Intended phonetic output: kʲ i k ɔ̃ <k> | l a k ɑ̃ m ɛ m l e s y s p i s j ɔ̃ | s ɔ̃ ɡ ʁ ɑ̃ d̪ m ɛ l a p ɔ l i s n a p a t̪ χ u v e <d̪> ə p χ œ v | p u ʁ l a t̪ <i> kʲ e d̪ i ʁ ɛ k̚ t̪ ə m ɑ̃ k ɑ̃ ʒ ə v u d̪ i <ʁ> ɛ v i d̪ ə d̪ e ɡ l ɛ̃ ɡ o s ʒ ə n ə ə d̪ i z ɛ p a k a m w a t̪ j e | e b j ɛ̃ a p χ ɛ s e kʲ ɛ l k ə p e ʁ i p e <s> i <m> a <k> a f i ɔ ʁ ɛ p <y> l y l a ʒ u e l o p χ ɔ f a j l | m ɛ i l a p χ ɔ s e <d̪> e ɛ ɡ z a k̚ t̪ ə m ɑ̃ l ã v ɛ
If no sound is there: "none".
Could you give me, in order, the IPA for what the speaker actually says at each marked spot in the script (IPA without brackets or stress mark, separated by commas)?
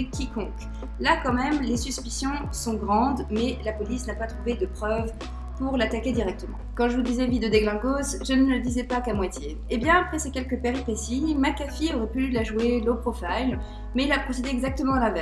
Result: k, d̪, a, z, s, m, k, y, d̪